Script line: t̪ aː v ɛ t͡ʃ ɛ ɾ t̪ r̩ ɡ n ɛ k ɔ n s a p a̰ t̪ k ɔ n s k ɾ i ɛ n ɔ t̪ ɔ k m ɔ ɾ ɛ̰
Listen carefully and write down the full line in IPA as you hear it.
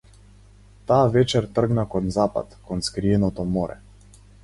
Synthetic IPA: t̪ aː v ɛ t͡ʃ ɛ ɾ t̪ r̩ ɡ n a k ɔ n z a p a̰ t̪ k ɔ n s k ɾ i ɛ n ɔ t̪ ɔ m ɔ ɾ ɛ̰